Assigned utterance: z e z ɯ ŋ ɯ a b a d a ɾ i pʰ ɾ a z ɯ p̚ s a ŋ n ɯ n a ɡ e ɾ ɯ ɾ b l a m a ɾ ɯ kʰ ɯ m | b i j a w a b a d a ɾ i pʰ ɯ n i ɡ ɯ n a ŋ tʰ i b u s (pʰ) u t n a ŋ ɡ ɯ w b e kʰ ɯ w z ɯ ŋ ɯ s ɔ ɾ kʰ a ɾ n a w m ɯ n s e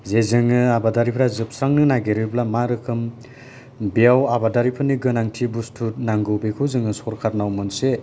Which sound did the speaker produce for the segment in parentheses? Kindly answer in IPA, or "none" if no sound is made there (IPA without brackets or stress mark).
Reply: tʰ